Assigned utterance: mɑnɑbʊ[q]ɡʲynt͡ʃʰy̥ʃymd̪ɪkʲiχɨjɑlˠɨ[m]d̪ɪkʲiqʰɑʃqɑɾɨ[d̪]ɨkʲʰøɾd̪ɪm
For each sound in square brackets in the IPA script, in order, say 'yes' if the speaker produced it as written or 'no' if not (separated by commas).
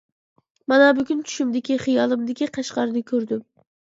no, yes, yes